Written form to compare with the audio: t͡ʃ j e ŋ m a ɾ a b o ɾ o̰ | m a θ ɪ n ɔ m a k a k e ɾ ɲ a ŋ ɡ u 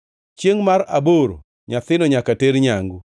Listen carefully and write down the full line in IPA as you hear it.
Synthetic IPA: t͡ʃ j e ŋ m a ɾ a b o ɾ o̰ | ɲ a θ ɪ n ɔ ɲ a k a t e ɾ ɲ a ŋ ɡ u